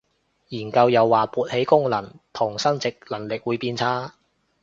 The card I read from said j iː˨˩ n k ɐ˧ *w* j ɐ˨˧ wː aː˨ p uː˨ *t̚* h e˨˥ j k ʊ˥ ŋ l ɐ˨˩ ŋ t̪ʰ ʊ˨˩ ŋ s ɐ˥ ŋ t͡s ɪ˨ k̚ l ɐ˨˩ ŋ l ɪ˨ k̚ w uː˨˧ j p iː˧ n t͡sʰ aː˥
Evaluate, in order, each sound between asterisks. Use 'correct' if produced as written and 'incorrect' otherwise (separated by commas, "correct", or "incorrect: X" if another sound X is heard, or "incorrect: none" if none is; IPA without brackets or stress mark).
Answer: correct, correct